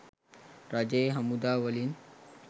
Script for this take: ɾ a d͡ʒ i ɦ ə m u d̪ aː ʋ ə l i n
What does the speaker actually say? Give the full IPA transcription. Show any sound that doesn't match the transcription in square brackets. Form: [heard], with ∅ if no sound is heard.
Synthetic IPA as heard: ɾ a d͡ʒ [e] ɦ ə m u d̪ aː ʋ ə l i n

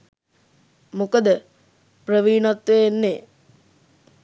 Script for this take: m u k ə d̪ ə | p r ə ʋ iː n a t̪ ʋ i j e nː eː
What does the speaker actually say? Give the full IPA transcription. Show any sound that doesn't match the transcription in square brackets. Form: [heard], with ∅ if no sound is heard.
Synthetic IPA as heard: m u k ə d̪ ə | p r ə ʋ iː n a t̪ ʋ [e] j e nː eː

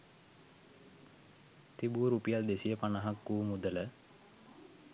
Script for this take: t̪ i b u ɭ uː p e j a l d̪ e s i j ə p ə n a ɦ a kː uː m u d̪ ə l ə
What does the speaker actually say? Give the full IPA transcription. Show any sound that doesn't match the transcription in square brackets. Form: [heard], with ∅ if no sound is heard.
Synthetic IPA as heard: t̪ i b u [ɾ] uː p [i] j a l d̪ e s i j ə p [a] n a ɦ a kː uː m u d̪ ə l ə

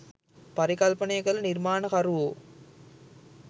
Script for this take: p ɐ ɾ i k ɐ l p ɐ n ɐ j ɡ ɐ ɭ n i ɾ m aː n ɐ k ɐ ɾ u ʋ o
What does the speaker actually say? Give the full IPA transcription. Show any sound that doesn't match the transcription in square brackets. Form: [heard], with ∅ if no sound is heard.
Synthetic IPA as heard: p ɐ ɾ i k ɐ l p ɐ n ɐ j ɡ ɐ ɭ n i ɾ m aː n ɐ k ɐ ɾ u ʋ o

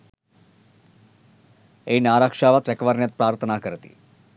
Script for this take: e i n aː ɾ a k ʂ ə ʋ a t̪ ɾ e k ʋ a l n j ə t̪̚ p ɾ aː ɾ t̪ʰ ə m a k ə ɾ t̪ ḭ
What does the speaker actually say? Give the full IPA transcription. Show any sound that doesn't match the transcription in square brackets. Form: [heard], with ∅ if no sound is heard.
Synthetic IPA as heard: e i n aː ɾ a k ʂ [a] ʋ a t̪ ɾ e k ʋ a [ɾ] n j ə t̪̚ p ɾ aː ɾ t̪ʰ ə [n] a k ə ɾ t̪ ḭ

